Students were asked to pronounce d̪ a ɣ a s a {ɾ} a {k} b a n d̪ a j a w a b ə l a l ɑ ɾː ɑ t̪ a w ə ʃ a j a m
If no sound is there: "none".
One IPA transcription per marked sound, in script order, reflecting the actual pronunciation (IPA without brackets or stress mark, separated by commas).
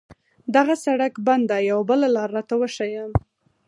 ɽ, k